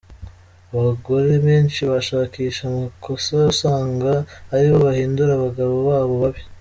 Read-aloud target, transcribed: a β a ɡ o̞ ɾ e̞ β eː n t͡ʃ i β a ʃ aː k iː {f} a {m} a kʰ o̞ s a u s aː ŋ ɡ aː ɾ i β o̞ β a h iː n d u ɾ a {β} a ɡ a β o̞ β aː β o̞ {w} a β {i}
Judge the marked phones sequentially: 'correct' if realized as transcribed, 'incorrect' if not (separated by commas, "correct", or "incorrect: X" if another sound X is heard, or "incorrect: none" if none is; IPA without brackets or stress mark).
incorrect: ʃ, correct, correct, incorrect: β, correct